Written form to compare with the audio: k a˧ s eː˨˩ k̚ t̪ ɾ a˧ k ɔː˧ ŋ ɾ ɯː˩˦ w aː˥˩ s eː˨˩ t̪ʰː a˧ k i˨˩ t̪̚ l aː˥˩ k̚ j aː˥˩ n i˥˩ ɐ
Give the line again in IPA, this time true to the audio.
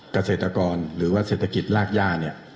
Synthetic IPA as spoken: k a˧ s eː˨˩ t̪ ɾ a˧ k ɔː˧ n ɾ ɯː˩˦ w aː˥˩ s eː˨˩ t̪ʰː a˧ k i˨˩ t̪̚ l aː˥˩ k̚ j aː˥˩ n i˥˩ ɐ